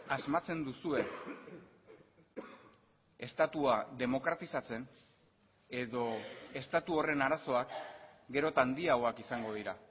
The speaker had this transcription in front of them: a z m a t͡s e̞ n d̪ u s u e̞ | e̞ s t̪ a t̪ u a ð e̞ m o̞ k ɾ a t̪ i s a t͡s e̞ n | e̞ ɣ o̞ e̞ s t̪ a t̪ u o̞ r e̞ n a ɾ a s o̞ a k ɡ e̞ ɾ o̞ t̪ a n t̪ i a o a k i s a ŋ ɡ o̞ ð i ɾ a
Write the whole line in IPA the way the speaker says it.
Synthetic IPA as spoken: a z m a t͡s e̞ n d̪ u s u e̞ | e̞ s t̪ a t̪ u a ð e̞ m o̞ k ɾ a t̪ i s a t͡s e̞ n | e̞ ð o̞ e̞ s t̪ a t̪ u o̞ r e̞ n a ɾ a s o̞ a k ɡ e̞ ɾ o̞ t̪ a n d̪ i a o a k i s a ŋ ɡ o̞ ð i ɾ a